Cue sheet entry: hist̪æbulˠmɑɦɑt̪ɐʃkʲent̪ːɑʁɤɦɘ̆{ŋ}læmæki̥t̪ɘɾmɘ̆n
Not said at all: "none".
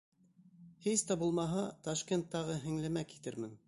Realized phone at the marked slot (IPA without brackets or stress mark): ŋ